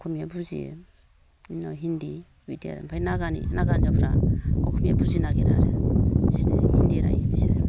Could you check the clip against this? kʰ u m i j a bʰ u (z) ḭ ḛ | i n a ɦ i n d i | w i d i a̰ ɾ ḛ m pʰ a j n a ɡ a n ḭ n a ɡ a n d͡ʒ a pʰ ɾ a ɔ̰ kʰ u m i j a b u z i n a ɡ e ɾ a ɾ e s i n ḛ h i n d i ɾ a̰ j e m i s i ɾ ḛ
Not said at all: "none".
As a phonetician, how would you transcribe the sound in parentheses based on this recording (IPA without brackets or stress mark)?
z